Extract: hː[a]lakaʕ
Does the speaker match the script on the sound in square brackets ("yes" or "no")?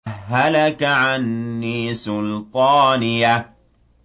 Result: yes